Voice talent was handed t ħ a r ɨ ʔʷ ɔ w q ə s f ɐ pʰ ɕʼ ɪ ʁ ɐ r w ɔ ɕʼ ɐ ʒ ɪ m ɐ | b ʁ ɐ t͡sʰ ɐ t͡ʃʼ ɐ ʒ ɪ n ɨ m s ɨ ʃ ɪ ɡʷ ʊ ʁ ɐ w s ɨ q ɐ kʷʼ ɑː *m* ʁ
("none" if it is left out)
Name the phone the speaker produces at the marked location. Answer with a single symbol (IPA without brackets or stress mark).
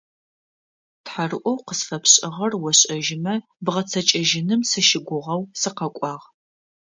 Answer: none